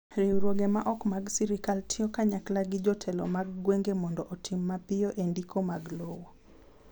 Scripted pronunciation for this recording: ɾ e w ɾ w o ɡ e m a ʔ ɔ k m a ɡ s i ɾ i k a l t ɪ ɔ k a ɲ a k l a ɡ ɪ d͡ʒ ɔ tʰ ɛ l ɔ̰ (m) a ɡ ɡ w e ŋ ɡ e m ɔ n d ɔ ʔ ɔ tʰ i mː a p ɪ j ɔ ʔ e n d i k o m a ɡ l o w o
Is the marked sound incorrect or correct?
correct